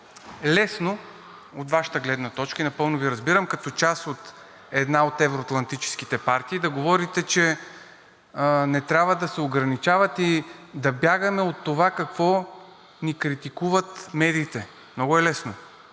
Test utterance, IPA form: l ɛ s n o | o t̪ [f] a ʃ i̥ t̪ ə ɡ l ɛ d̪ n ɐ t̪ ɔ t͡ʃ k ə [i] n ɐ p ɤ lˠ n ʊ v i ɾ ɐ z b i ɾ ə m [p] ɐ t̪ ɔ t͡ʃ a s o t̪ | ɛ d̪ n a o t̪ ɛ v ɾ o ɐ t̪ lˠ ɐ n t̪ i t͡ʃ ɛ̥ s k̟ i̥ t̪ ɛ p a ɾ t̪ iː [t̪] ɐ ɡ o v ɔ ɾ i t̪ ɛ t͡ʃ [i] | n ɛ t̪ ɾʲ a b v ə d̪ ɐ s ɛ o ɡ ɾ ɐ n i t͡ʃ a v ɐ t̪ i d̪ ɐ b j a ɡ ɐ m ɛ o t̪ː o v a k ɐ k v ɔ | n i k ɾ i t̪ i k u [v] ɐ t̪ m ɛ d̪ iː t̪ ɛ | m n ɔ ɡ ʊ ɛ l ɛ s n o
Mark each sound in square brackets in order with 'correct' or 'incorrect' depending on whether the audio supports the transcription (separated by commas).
incorrect, correct, incorrect, incorrect, incorrect, correct